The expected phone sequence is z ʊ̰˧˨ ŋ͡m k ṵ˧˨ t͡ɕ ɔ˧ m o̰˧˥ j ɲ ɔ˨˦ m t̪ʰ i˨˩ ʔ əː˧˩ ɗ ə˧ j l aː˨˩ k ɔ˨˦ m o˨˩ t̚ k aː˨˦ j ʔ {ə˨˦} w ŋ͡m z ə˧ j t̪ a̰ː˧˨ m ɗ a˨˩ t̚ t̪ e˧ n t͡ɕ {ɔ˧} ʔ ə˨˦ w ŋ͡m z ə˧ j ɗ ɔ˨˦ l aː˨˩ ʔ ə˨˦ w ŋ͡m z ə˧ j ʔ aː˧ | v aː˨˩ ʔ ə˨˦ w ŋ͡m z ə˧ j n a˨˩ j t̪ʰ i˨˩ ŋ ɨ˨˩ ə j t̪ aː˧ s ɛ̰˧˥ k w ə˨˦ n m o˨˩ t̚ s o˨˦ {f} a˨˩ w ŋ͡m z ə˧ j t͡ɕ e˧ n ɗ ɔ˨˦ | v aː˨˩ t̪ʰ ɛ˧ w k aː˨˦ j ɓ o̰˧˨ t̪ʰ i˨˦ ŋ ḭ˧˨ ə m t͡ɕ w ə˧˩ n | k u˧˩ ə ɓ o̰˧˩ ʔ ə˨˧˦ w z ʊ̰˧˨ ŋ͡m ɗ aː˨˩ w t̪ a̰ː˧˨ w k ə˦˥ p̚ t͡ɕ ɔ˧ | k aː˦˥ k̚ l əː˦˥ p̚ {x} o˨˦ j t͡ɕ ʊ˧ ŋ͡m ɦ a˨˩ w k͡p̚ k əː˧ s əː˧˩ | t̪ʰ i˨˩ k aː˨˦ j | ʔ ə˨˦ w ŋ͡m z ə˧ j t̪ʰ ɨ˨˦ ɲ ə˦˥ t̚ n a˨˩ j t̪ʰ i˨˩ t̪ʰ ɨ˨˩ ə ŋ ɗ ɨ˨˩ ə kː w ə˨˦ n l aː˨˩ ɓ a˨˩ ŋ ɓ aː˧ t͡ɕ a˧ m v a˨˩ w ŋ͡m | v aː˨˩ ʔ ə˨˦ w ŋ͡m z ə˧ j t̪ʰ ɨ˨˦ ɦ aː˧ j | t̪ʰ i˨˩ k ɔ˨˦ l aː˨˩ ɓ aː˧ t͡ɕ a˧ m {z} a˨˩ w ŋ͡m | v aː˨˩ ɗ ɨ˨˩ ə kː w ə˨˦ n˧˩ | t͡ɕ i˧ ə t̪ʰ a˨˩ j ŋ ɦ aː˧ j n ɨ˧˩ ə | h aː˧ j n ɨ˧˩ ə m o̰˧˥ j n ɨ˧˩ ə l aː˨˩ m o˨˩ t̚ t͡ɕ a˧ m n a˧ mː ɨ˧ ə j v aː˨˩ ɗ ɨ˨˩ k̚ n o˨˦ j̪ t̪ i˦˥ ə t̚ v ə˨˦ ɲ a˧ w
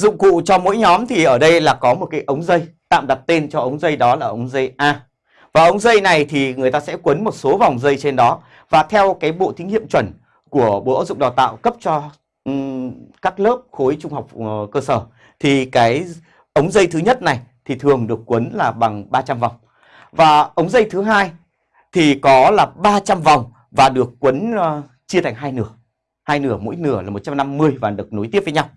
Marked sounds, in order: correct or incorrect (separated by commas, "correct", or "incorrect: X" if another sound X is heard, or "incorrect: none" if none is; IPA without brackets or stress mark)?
correct, correct, incorrect: v, correct, incorrect: v